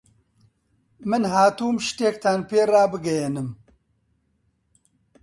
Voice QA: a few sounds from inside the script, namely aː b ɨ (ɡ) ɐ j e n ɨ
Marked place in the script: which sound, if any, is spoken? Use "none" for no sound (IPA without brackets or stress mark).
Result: ɡ